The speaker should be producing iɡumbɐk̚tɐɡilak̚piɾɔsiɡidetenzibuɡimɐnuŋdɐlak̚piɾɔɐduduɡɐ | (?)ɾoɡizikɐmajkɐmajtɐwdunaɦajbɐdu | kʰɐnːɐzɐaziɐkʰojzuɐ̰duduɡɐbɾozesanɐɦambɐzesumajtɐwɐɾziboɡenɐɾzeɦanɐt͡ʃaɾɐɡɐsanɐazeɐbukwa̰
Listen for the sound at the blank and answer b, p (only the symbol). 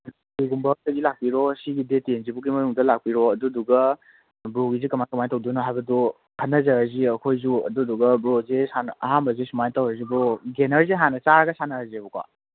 b